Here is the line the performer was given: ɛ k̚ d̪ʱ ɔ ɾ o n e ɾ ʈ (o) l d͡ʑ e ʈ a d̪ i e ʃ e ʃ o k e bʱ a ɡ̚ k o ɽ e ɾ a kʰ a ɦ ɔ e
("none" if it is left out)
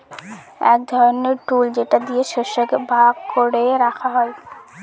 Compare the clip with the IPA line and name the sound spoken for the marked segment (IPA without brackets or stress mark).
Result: u